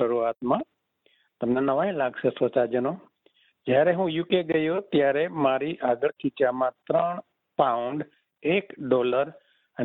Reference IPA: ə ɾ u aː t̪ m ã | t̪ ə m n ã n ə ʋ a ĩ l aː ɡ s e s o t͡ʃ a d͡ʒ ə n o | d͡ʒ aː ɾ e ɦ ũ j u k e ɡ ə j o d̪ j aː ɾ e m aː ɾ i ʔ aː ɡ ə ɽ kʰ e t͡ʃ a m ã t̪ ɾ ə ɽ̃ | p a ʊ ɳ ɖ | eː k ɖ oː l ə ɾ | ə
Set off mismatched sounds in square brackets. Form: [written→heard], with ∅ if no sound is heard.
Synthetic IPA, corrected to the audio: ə ɾ u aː t̪ m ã | t̪ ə m n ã n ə ʋ a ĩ l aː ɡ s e s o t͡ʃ a d͡ʒ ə n o | d͡ʒ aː ɾ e ɦ ũ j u k e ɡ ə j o [d̪→t̪] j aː ɾ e m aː ɾ i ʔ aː ɡ ə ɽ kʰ [e→i] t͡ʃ a m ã t̪ ɾ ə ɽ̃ | p a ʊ ɳ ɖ | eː k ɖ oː l ə ɾ | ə